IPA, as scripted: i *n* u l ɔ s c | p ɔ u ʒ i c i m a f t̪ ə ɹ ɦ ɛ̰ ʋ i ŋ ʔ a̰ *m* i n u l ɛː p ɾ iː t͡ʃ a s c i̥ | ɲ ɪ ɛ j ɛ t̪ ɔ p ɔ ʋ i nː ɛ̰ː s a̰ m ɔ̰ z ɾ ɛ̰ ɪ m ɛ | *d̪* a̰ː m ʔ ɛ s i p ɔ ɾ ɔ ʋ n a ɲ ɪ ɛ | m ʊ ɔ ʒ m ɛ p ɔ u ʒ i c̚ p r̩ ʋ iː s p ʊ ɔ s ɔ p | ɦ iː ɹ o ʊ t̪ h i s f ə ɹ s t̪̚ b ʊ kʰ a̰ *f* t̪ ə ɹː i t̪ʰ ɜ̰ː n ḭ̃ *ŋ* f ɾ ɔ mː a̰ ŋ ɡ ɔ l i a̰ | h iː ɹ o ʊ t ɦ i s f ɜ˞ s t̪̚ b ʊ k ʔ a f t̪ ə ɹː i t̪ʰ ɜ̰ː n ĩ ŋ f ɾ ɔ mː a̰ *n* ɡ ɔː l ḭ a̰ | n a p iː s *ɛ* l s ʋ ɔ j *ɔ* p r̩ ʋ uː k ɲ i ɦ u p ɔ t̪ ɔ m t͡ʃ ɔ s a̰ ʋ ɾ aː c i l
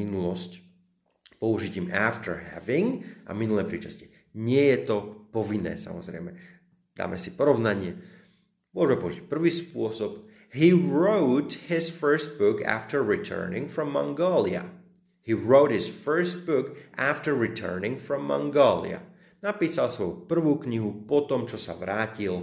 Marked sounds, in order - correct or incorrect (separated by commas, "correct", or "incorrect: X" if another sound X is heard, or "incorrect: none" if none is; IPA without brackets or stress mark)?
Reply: correct, correct, correct, correct, correct, incorrect: ŋ, incorrect: a, incorrect: u